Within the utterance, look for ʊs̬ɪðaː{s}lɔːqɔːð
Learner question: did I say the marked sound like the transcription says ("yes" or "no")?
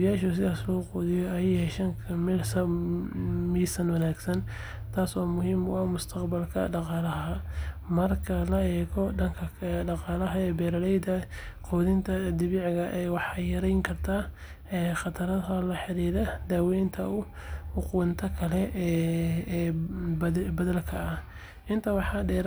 yes